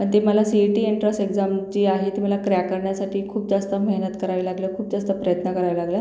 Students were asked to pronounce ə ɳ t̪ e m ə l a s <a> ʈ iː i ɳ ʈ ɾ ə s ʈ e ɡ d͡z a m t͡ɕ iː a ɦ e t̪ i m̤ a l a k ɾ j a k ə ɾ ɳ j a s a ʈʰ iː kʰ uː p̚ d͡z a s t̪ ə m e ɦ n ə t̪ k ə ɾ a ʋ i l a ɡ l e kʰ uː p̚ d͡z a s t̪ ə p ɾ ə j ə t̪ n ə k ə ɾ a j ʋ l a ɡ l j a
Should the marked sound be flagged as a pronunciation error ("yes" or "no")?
yes